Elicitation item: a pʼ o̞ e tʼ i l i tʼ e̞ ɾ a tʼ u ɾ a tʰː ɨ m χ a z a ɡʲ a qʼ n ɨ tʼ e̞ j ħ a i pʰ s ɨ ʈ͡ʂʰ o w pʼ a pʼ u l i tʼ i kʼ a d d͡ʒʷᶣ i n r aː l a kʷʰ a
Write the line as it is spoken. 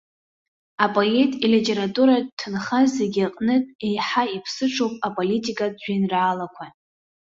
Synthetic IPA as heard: a pʼ o̞ e tʼ i l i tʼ e̞ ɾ a tʼ u ɾ a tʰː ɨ n χ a z e ɡʲ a qʼ n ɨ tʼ e̞ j ħ a i pʰ s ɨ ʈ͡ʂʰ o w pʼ a pʼ o l i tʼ i kʼ a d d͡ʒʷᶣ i n r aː l a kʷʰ a